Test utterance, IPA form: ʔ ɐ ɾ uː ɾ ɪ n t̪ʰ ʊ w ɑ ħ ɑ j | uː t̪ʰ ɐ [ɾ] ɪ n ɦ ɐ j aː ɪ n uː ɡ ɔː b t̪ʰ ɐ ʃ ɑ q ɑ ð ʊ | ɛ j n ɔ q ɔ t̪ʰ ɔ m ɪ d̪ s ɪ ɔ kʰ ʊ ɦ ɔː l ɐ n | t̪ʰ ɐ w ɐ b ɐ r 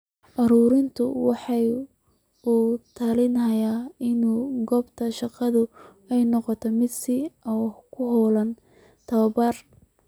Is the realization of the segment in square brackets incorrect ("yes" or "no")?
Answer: yes